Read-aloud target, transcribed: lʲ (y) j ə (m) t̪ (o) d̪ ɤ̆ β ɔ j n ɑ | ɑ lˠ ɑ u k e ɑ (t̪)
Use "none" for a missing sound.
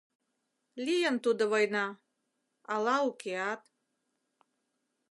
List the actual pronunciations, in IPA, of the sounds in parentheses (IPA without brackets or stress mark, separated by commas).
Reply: i, n, u, t̪